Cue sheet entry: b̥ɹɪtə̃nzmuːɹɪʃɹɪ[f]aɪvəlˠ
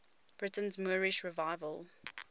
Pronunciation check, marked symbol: incorrect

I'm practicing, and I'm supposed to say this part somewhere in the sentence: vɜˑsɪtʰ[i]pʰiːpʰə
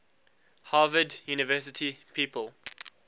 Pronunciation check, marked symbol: correct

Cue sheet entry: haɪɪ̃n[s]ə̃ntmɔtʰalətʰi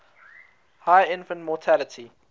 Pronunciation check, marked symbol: incorrect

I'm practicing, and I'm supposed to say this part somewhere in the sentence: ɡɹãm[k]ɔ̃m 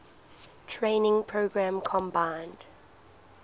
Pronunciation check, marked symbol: incorrect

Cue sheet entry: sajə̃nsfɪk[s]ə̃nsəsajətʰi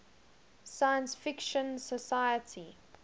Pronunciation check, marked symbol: incorrect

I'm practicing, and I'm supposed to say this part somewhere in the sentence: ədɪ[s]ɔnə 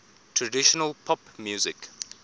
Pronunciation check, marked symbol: incorrect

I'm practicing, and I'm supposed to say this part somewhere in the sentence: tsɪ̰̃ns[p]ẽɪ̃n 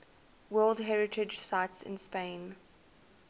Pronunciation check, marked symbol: correct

